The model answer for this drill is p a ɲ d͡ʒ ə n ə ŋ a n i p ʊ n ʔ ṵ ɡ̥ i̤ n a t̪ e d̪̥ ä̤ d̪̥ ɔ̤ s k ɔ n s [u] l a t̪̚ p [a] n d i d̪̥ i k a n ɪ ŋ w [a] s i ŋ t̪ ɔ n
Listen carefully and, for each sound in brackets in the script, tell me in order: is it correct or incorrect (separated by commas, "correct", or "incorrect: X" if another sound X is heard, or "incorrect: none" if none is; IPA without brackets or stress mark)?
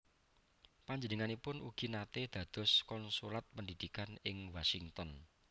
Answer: correct, incorrect: ə, correct